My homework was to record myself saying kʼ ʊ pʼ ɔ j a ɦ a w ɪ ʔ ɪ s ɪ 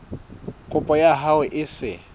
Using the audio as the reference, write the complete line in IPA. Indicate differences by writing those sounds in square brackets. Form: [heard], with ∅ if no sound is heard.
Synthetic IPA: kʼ ʊ pʼ ɔ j a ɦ a w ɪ ʔ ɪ s ɪ